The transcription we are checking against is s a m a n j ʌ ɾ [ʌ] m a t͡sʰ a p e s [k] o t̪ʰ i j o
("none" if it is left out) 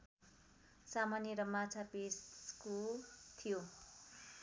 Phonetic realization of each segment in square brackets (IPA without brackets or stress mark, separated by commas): ʌ, k